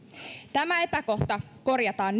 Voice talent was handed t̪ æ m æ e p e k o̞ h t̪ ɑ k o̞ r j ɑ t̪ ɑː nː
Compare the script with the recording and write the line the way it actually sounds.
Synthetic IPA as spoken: t̪ æ m æ e p æ k o̞ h t̪ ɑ k o̞ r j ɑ t̪ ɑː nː